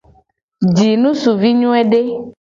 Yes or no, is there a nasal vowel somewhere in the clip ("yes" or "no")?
yes